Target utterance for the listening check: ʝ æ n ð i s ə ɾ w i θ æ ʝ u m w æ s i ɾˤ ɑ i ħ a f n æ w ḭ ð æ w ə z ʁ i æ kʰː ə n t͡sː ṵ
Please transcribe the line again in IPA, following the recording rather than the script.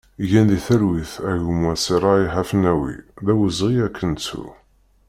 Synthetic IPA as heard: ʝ æ n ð i θ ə ɾ w i θ æ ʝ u m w æ s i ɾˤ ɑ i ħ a f n æ w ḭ ð æ w ə z ʁ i æ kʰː ə n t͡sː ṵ